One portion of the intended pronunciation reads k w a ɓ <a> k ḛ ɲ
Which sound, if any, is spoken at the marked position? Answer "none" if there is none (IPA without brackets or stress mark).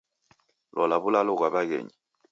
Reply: a